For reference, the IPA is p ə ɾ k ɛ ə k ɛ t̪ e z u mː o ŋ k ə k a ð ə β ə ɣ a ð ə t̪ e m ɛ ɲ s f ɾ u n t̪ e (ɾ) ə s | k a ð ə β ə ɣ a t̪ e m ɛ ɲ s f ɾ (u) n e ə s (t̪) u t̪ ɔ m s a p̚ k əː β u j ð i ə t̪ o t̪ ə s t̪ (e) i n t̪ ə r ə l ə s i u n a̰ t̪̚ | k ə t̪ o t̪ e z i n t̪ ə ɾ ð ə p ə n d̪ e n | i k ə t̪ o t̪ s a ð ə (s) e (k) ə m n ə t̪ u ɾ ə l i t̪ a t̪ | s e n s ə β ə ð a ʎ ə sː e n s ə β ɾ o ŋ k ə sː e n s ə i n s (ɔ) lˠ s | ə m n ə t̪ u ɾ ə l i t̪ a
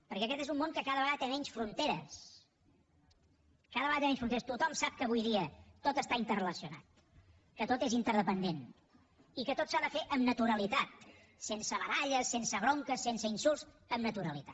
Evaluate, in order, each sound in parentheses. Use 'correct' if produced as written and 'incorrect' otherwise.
correct, correct, correct, incorrect, incorrect, incorrect, incorrect

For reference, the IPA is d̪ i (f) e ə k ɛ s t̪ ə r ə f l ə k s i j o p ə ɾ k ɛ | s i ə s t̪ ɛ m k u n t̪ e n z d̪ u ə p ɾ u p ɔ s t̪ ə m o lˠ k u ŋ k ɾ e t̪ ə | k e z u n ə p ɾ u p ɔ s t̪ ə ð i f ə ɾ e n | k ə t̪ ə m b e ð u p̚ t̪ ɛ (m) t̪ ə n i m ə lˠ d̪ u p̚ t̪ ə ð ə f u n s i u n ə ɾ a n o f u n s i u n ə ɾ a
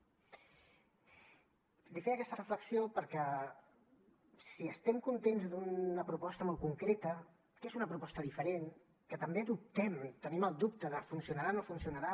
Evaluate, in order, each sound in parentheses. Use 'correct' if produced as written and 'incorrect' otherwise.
correct, correct

